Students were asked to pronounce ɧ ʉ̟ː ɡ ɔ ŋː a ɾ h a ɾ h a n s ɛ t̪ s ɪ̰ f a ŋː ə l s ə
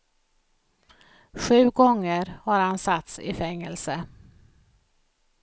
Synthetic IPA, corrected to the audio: ɧ ʉ̟ː ɡ ɔ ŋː ə ɾ h a ɾ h a n s a t̪ s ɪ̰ f ɛ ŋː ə l s ə